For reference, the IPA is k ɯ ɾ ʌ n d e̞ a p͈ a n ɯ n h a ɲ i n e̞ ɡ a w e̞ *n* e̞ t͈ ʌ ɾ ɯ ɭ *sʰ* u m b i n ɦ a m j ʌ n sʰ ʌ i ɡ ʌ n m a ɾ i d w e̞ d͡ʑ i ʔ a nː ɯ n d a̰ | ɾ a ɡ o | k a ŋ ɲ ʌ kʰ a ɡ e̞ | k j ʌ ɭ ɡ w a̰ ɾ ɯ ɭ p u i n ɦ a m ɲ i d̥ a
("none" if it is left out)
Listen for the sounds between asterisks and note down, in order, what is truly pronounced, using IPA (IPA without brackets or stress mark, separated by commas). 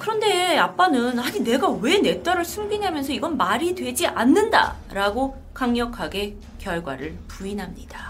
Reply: n, sʰ